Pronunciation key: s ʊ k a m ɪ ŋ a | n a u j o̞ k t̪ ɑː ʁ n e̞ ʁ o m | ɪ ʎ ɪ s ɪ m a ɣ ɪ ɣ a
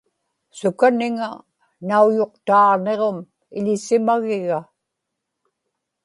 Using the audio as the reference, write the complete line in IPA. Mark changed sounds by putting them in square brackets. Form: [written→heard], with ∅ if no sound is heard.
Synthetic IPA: s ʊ k a [m→n] ɪ ŋ a | n a u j o̞ [k→q] t̪ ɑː ʁ n e̞ ʁ o m | ɪ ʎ ɪ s ɪ m a ɣ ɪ ɣ a